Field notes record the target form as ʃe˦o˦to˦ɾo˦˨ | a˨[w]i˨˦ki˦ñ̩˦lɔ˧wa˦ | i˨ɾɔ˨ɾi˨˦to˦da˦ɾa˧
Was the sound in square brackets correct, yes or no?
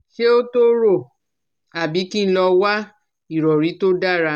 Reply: no